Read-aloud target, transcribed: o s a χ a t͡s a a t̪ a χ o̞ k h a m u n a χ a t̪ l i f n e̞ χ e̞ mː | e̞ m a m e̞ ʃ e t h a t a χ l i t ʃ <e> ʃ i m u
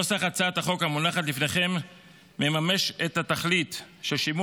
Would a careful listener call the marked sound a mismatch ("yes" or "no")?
no